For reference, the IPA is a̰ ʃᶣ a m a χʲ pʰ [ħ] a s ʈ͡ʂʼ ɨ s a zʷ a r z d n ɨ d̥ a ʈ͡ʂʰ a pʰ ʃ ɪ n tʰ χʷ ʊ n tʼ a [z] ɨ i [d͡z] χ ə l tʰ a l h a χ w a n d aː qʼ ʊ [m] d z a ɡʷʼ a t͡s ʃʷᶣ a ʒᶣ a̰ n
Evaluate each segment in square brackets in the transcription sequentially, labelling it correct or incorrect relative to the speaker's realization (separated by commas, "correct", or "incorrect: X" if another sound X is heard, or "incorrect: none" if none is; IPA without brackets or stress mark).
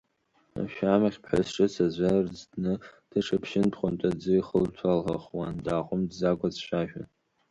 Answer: correct, incorrect: d͡z, incorrect: none, correct